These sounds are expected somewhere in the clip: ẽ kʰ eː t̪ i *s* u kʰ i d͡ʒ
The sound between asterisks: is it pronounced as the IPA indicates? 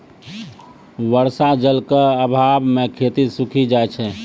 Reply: yes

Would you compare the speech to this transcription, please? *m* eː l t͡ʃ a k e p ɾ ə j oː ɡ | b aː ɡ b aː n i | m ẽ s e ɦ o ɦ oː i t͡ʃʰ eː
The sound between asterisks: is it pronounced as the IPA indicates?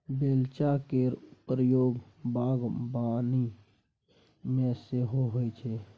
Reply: no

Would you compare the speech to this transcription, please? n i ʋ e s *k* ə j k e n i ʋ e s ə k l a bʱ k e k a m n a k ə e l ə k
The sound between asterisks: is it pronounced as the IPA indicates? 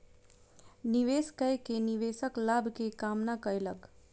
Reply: yes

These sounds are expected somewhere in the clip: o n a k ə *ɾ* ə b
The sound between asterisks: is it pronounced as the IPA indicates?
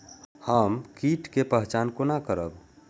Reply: yes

